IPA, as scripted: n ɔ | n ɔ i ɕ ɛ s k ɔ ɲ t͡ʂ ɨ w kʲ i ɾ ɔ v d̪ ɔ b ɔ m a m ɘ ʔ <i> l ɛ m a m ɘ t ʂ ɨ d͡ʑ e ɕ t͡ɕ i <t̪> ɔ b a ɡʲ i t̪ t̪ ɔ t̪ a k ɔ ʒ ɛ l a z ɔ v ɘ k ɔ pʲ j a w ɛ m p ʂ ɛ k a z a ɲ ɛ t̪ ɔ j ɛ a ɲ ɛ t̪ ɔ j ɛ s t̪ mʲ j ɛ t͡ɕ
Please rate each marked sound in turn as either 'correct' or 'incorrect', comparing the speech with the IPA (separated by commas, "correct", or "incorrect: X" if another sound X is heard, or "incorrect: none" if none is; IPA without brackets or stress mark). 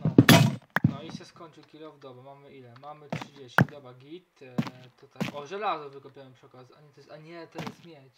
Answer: correct, incorrect: d̪